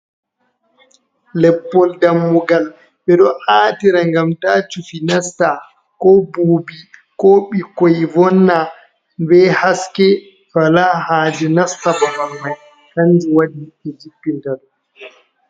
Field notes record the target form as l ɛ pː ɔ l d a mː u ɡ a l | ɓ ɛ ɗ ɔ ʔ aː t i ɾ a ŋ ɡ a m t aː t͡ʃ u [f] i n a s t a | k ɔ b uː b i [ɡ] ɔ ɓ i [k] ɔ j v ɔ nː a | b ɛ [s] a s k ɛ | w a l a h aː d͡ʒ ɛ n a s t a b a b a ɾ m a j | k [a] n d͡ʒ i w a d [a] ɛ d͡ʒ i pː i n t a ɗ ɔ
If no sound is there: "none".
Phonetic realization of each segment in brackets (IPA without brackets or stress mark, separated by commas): f, k, k, h, a, i